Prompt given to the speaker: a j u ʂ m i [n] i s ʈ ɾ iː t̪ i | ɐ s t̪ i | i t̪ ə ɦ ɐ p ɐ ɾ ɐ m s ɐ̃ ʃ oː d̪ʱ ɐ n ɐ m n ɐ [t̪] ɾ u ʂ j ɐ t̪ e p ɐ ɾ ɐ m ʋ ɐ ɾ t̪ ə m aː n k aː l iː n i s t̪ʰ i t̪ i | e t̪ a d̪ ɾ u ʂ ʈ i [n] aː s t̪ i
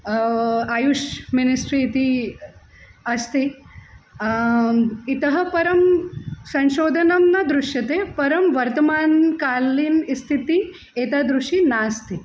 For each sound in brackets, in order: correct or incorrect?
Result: correct, incorrect: d̪, correct

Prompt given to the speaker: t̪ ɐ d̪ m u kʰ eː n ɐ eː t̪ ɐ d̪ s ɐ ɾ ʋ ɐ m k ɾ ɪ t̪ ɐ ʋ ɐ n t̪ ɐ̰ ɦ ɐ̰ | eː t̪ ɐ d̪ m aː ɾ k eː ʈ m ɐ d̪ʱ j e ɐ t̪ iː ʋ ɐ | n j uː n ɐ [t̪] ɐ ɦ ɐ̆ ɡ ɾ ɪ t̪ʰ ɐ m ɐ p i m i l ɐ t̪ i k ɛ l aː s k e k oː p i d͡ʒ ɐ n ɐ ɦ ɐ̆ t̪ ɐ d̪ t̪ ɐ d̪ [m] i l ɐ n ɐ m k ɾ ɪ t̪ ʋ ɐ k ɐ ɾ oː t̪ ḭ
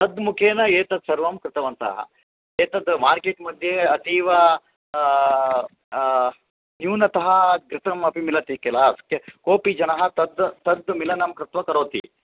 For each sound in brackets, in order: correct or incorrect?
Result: correct, correct

